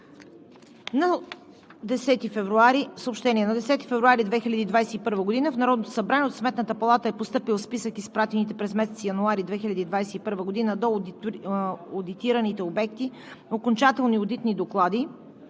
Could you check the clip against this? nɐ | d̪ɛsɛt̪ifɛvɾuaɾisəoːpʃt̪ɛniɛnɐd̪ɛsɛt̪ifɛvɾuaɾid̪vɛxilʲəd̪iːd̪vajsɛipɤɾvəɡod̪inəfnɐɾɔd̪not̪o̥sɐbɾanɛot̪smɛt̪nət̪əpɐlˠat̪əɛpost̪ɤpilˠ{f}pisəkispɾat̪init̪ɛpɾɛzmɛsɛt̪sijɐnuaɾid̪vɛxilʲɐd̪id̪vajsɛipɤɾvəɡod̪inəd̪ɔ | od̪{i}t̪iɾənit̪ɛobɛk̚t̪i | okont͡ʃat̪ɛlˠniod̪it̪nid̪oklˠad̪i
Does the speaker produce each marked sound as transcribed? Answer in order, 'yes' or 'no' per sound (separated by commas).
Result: no, yes